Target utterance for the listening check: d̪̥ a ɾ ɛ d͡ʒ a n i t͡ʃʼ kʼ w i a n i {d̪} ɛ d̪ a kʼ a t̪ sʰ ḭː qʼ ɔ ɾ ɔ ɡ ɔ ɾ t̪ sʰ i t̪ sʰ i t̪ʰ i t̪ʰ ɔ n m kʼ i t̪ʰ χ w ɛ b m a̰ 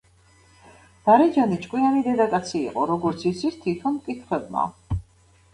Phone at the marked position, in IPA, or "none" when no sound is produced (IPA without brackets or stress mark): d̪